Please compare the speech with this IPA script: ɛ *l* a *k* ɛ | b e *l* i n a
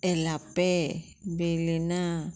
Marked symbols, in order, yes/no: yes, no, yes

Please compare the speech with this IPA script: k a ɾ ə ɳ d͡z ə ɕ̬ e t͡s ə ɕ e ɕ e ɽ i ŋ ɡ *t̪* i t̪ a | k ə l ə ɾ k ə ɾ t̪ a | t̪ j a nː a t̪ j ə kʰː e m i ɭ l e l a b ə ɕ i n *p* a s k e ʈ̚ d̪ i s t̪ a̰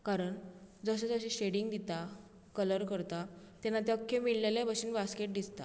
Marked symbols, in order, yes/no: no, no

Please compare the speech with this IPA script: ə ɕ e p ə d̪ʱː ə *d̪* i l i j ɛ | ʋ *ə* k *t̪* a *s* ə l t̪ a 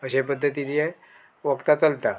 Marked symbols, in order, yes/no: no, yes, yes, no

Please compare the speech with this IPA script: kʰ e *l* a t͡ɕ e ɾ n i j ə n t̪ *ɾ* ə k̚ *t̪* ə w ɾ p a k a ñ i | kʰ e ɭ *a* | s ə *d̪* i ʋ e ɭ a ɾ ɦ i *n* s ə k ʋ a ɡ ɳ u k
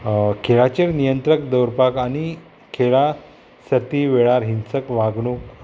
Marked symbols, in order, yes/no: no, yes, no, yes, no, yes

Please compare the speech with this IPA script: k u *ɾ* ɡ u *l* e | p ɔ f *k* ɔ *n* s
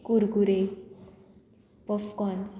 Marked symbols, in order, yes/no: yes, no, yes, yes

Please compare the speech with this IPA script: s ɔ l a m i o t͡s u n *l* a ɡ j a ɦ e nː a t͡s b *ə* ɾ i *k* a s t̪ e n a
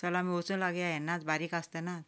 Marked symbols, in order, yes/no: yes, no, yes

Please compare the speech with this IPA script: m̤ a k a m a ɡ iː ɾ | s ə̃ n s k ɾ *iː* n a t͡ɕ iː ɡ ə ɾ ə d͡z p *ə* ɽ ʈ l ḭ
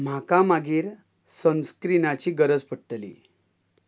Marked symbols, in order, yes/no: no, yes

